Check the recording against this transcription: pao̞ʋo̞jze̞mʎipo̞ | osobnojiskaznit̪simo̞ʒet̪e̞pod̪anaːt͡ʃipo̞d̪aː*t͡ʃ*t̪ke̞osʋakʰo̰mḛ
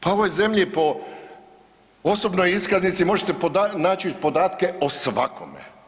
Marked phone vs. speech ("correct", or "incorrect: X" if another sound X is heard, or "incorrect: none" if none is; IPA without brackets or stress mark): incorrect: none